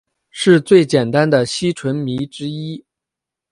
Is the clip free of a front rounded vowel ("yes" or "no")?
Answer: yes